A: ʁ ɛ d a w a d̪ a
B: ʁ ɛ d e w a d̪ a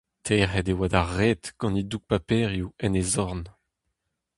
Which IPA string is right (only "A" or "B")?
B